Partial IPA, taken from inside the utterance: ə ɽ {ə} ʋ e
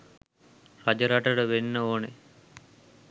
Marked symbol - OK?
yes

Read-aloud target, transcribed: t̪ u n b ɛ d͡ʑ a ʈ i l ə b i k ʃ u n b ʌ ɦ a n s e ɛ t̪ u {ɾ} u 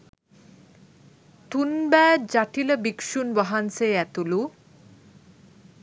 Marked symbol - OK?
no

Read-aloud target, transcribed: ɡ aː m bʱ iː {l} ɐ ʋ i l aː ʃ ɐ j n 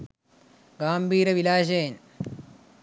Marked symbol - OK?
no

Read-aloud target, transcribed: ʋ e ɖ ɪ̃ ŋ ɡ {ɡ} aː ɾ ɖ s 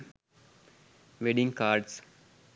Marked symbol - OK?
no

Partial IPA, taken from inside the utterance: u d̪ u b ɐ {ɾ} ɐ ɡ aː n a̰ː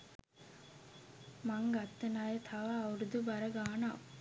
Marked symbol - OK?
yes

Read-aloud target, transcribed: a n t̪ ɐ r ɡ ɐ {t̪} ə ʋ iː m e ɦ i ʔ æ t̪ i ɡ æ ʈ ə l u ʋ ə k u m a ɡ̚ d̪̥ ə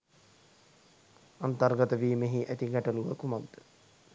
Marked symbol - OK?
yes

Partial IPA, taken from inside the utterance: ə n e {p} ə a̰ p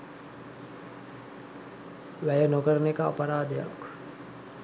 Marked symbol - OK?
no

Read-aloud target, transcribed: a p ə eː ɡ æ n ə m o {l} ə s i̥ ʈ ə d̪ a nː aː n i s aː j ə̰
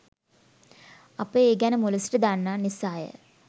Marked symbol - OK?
yes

